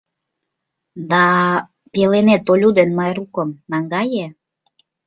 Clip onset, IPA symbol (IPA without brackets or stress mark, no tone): d̪